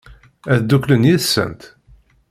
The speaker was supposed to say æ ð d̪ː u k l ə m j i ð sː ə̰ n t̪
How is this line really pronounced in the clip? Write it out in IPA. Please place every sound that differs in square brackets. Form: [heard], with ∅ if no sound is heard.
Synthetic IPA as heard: æ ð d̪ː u k l ə [n] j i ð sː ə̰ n t̪